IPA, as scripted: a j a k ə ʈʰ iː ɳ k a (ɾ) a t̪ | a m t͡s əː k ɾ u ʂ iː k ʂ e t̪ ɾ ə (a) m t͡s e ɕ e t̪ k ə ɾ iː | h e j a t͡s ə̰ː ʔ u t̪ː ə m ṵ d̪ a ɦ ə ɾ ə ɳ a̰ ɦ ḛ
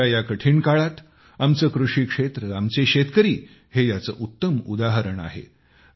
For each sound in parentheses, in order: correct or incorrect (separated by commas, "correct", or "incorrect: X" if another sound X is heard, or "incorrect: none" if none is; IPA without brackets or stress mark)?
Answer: incorrect: ɭ, correct